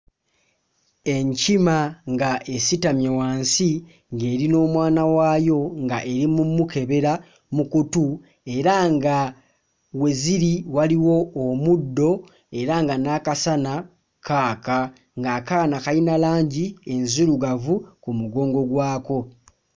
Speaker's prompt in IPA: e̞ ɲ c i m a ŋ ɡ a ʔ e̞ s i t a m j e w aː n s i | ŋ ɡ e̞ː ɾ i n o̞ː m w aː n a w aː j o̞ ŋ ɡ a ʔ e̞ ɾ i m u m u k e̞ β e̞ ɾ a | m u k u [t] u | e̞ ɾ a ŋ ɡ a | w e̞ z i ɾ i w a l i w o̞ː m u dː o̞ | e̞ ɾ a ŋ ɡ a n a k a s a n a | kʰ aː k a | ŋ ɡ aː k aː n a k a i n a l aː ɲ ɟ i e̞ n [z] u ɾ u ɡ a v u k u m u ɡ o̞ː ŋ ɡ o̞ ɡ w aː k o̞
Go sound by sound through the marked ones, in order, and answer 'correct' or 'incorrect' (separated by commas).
correct, correct